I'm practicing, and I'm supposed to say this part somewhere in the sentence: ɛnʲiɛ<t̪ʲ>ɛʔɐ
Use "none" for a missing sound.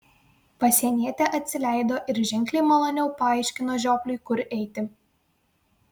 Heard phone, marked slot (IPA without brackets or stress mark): t̪ʲ